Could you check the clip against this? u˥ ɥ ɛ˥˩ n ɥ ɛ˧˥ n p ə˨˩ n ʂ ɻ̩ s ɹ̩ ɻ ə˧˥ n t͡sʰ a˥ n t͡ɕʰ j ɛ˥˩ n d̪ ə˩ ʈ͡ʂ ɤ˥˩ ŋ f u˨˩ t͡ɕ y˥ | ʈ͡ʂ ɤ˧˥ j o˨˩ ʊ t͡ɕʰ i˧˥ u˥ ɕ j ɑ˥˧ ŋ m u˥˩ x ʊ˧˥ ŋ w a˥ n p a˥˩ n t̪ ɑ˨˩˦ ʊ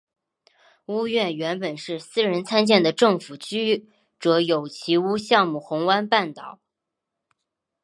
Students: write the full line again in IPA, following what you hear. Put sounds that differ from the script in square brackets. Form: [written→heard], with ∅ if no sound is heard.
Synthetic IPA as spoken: u˥ ɥ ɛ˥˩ n ɥ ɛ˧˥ n p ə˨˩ n ʂ ɻ̩ s ɹ̩ ɻ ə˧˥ n t͡sʰ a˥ n [t͡ɕʰ→t͡ɕ] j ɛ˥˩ n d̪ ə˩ ʈ͡ʂ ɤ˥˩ ŋ f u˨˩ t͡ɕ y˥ | ʈ͡ʂ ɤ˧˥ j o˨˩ ʊ t͡ɕʰ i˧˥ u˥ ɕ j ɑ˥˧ ŋ m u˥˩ x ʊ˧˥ ŋ w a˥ n p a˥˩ n t̪ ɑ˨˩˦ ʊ